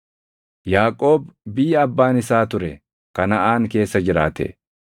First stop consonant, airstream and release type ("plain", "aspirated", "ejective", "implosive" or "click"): ejective